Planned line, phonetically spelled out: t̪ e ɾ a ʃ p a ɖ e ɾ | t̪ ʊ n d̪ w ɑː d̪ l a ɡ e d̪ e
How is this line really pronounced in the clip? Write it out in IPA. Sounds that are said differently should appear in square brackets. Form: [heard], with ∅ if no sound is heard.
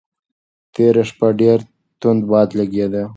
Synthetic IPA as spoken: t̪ e ɾ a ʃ p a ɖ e ɾ | t̪ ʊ n d̪ [b] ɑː d̪ l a ɡ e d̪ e